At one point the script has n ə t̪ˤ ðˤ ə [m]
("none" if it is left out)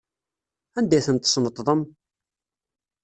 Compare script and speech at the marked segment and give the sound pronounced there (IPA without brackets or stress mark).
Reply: m